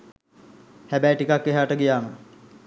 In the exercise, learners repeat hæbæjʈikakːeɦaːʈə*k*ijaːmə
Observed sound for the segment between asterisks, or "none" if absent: ɡ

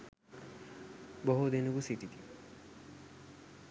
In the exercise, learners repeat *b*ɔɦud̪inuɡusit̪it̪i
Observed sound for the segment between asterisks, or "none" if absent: b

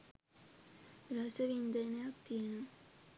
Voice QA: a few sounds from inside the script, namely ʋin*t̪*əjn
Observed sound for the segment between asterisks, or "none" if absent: d̪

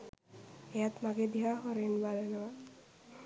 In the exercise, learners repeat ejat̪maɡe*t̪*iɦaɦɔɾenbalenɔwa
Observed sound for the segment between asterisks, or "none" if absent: d̪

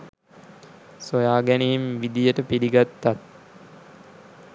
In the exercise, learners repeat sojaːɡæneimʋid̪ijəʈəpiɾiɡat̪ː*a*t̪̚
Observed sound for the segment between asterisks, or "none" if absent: a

